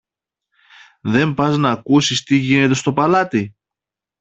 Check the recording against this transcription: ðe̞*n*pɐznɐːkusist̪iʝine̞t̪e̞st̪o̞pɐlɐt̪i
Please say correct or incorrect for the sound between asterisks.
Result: incorrect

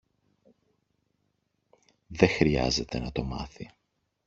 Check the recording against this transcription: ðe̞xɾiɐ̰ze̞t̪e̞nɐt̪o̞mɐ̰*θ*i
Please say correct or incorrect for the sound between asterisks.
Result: correct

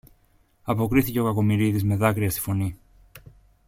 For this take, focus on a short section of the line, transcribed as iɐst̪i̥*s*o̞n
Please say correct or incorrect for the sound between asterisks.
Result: incorrect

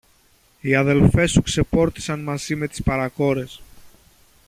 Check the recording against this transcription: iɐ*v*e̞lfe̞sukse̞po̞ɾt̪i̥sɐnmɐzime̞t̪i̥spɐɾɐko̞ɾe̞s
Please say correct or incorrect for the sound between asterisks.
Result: incorrect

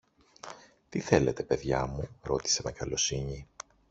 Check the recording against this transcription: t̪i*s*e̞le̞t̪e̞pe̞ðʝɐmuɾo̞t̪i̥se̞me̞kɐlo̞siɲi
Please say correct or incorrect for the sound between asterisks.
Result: incorrect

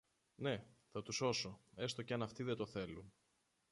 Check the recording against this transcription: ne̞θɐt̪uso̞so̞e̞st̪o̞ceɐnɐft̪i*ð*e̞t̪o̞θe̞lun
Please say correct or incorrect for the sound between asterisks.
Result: correct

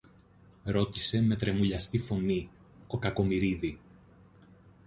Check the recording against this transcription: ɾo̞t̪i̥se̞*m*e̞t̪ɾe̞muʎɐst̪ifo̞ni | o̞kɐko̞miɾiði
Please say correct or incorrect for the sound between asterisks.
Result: correct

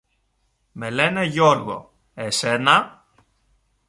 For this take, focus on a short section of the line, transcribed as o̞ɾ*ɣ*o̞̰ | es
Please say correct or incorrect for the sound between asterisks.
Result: correct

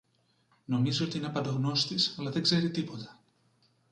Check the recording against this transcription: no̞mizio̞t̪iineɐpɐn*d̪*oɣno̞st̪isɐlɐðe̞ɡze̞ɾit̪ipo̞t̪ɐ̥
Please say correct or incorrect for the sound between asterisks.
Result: correct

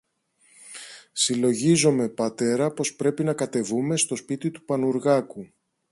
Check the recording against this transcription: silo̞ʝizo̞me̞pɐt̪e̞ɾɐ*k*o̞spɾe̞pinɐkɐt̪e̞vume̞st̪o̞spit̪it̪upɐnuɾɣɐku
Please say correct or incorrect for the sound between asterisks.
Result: incorrect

